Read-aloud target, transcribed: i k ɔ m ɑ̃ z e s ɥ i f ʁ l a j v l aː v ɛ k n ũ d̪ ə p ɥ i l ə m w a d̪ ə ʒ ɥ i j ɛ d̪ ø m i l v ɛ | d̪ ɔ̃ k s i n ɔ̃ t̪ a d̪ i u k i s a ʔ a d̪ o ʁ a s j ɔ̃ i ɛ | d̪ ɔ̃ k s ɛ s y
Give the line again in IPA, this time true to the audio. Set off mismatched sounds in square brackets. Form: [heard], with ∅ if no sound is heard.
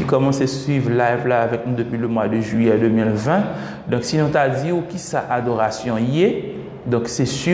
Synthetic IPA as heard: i k ɔ m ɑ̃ [s] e s ɥ i [v] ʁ l a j v l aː v ɛ k n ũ d̪ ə p ɥ i l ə m w a d̪ ə ʒ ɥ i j ɛ d̪ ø m i l v [ɛ̃] | d̪ ɔ̃ k s i n ɔ̃ t̪ a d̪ i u k i s a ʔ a d̪ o ʁ a s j ɔ̃ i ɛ | d̪ ɔ̃ k s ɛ s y

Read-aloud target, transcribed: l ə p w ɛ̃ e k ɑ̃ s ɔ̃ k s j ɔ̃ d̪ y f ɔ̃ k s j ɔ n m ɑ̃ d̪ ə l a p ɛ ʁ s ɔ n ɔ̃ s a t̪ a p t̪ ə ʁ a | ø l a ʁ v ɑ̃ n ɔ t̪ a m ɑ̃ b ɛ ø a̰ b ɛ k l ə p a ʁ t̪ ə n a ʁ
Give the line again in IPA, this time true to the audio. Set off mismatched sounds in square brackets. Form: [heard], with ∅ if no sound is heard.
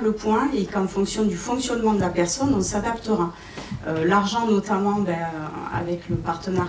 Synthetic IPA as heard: l ə p w ɛ̃ e k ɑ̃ [f] ɔ̃ k s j ɔ̃ d̪ y f ɔ̃ k s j ɔ n m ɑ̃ d̪ ə l a p ɛ ʁ s ɔ n ɔ̃ s a [d̪] a p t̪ ə ʁ a | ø l a ʁ [ʒ] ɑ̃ n ɔ t̪ a m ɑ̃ b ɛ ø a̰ [v] ɛ k l ə p a ʁ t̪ ə n a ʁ

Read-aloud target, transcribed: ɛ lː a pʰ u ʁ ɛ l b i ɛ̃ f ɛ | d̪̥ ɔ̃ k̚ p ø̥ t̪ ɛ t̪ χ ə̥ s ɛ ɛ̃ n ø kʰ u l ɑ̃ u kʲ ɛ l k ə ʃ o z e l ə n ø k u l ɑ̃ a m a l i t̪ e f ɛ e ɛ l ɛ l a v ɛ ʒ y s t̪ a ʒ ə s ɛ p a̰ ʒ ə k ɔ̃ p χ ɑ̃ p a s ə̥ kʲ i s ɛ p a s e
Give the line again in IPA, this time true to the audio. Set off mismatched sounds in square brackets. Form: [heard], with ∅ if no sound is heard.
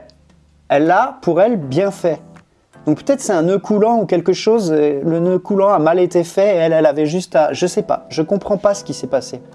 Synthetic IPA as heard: ɛ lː a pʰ u ʁ ɛ l b [j] ɛ̃ f ɛ | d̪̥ ɔ̃ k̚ p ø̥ t̪ ɛ t̪ χ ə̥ s ɛ ɛ̃ n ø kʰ u l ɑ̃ u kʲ ɛ l k ə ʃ o z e l ə n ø k u l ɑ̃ a m a l [e] t̪ e f ɛ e ɛ l ɛ l a v ɛ ʒ y s t̪ a ʒ ə s ɛ p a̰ ʒ ə k ɔ̃ p χ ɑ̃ p a s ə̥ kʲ i s ɛ p a s e

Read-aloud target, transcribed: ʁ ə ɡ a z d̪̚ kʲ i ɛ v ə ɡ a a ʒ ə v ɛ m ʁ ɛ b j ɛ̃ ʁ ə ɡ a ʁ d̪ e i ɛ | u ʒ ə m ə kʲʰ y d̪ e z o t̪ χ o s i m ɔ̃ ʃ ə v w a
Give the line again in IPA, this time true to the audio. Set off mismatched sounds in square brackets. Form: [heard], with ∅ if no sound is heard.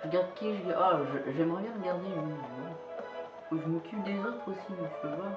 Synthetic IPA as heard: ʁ ə ɡ a [ʁ] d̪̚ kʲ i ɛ [ʒ] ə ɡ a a ʒ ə [ʒ] ɛ m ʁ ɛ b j ɛ̃ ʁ ə ɡ a ʁ d̪ e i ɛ | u ʒ ə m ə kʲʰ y d̪ e z o t̪ χ o s i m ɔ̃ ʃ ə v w a

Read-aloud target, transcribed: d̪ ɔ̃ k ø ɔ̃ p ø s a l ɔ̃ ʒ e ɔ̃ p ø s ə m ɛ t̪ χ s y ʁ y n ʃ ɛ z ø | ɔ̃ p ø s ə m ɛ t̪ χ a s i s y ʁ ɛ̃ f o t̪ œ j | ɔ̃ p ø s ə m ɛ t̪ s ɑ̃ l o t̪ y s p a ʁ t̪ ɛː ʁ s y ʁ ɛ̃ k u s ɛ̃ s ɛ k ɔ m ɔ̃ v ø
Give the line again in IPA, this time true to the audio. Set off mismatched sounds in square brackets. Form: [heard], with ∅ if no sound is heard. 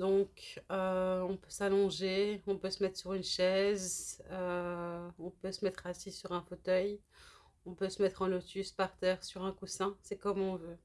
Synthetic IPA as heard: d̪ ɔ̃ k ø ɔ̃ p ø s a l ɔ̃ ʒ e ɔ̃ p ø s ə m ɛ t̪ χ s y ʁ y n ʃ ɛ z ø | ɔ̃ p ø s ə m ɛ t̪ χ a s i s y ʁ ɛ̃ f o t̪ œ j | ɔ̃ p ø s ə m ɛ t̪ [χ] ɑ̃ l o t̪ y s p a ʁ t̪ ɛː ʁ s y ʁ ɛ̃ k u s ɛ̃ s ɛ k ɔ m ɔ̃ v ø

